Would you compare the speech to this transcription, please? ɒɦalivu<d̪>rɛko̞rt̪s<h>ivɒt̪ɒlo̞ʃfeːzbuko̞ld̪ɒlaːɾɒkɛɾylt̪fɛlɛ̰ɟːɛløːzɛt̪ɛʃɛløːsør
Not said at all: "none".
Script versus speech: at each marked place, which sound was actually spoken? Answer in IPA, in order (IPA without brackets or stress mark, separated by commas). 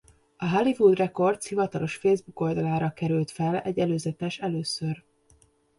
d̪, h